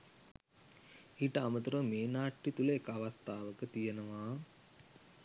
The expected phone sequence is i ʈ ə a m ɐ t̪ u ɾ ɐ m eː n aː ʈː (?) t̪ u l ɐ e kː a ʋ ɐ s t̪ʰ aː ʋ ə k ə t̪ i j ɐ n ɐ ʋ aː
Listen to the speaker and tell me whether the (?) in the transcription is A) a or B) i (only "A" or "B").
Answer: B